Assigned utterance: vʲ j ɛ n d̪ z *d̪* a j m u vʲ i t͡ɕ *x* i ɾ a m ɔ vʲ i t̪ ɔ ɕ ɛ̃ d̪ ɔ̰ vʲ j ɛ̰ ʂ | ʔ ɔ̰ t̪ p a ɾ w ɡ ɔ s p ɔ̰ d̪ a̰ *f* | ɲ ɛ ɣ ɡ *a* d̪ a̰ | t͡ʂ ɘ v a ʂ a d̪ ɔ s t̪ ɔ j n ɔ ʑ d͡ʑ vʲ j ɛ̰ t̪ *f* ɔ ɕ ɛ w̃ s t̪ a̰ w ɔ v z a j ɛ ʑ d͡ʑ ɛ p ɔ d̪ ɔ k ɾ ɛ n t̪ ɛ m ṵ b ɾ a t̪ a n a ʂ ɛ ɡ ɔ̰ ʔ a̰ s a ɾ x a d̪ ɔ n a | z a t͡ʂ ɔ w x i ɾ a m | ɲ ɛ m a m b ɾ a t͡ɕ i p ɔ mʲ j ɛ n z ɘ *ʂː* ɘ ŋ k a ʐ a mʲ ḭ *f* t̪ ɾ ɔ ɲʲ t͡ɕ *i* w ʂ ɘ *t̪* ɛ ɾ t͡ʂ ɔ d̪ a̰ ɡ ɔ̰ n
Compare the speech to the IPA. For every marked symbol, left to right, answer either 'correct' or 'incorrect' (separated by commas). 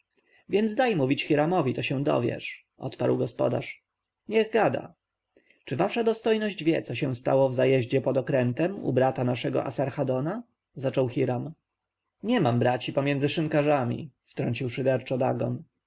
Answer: correct, correct, incorrect, correct, incorrect, incorrect, correct, correct, incorrect